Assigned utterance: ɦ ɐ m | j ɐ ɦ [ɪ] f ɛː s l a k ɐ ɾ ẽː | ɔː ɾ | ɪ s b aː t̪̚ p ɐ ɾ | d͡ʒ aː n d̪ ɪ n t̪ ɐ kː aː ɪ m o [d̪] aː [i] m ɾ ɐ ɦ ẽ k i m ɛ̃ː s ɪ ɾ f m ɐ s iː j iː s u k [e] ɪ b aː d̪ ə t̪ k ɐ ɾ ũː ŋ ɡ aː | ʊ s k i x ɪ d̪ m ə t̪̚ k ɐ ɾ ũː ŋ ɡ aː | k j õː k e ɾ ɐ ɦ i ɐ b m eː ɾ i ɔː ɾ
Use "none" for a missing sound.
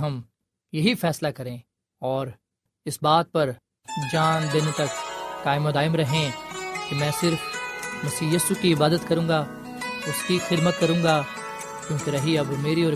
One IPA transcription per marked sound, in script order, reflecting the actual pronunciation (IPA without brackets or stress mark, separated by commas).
i, d̪, ɪ, i